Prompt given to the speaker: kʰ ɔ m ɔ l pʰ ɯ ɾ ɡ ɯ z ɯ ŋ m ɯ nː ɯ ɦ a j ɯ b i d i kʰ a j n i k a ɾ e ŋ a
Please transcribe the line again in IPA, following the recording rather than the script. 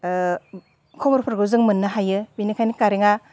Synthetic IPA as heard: kʰ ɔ m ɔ ɾ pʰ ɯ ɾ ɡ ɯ z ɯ ŋ m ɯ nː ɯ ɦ a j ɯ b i n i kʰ a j n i k a ɾ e ŋ a

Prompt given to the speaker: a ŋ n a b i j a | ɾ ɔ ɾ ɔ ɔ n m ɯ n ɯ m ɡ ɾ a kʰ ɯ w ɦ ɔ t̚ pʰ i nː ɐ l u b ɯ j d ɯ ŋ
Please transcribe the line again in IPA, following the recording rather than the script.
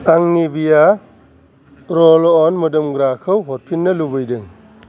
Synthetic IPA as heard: a ŋ n i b i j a | ɾ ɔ l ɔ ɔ n m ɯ d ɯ m ɡ ɾ a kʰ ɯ w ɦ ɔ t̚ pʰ i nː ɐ l u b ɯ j d ɯ ŋ

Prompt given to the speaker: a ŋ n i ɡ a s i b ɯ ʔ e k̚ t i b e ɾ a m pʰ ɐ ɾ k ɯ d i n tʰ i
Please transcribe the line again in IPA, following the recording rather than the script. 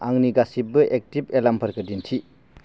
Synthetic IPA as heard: a ŋ n i ɡ a s i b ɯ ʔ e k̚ t i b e l a m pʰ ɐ ɾ k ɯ d i n tʰ i

